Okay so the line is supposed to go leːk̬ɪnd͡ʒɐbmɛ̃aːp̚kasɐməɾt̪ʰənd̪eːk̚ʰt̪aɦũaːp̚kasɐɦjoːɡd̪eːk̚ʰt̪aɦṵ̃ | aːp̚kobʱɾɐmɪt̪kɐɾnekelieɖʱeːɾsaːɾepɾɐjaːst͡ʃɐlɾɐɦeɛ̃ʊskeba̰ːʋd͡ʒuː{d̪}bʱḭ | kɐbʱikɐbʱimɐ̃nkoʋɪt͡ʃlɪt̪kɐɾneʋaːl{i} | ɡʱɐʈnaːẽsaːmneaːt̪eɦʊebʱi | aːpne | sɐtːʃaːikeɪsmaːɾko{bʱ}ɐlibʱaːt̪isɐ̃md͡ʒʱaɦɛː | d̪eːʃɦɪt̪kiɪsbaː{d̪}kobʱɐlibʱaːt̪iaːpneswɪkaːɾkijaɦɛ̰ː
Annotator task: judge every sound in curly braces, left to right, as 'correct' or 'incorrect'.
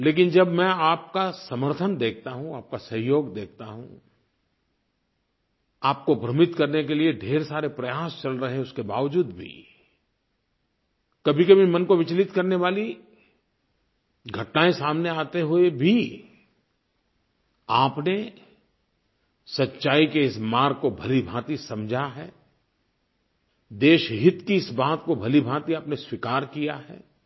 correct, correct, correct, incorrect

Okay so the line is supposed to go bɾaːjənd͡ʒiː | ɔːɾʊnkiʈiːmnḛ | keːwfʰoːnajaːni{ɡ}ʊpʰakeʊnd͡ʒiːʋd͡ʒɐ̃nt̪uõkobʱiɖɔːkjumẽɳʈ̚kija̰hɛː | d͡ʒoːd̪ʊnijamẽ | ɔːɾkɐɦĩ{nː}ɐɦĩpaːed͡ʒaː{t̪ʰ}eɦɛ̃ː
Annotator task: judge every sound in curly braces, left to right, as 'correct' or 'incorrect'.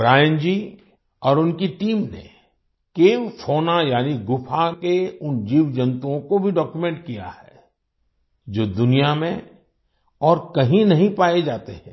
correct, incorrect, incorrect

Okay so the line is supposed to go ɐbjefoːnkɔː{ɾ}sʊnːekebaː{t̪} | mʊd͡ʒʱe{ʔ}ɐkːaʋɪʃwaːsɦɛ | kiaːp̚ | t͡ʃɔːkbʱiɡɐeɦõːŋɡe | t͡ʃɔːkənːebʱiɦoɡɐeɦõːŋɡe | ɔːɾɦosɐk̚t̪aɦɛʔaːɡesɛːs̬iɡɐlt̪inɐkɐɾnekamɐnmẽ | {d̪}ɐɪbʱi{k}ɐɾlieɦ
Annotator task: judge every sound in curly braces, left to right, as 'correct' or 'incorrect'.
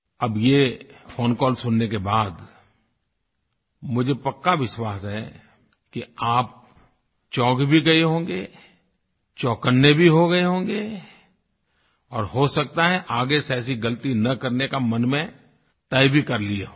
incorrect, incorrect, incorrect, incorrect, correct

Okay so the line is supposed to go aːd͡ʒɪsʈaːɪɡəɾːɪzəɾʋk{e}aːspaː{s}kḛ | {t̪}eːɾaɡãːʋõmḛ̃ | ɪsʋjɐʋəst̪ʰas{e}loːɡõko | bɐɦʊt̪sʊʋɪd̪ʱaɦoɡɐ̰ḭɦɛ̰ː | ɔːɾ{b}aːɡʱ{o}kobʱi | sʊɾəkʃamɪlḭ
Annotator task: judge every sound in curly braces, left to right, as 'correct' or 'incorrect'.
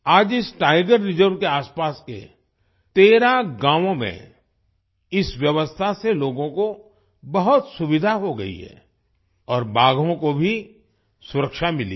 correct, correct, correct, correct, correct, incorrect

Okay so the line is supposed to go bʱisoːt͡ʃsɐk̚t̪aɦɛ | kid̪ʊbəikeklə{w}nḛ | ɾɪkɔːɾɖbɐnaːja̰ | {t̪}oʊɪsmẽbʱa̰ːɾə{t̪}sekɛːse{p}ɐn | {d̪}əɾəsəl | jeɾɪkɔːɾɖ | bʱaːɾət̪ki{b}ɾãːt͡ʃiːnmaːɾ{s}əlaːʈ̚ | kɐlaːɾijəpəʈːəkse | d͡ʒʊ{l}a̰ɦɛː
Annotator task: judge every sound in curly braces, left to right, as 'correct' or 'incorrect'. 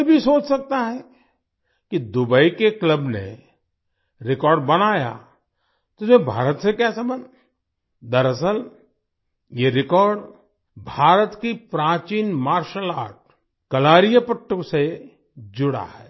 incorrect, correct, correct, incorrect, correct, incorrect, incorrect, incorrect

